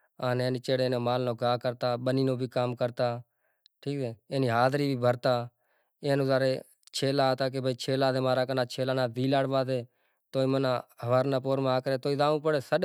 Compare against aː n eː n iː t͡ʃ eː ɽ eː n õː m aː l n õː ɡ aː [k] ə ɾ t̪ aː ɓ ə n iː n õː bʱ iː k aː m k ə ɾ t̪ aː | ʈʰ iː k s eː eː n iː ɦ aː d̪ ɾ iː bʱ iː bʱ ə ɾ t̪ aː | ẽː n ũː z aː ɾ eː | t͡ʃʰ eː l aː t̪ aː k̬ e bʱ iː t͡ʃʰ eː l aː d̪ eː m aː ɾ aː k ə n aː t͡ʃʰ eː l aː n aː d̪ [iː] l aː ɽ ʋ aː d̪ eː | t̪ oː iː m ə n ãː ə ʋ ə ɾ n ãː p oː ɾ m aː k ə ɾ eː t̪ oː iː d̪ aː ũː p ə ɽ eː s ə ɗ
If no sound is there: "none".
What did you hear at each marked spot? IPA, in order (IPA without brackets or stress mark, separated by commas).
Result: k, iː